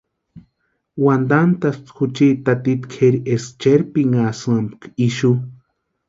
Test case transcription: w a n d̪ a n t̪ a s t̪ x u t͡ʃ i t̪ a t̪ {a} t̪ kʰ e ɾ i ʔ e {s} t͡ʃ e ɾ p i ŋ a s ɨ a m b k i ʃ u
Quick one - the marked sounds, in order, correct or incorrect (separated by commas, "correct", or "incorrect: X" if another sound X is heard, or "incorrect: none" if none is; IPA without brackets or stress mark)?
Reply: incorrect: i, correct